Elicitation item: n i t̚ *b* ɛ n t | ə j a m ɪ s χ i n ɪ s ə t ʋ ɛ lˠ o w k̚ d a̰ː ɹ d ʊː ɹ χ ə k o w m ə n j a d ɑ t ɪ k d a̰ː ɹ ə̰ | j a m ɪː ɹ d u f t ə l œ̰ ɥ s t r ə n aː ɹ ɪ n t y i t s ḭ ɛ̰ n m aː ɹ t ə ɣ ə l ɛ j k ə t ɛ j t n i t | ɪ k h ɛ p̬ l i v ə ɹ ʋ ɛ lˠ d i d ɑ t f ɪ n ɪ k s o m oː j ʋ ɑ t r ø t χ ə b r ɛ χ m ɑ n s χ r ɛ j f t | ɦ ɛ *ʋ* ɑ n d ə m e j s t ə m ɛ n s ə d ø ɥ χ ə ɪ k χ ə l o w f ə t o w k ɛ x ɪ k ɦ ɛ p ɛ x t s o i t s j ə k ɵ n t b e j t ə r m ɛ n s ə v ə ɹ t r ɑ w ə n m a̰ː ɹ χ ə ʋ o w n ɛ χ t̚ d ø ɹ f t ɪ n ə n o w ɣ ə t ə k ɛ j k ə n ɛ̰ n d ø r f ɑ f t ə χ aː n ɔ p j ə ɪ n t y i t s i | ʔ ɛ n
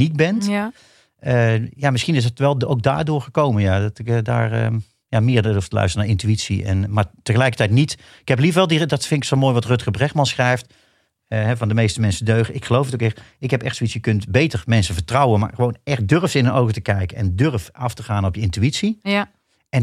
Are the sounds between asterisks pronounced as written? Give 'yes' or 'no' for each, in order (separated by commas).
yes, no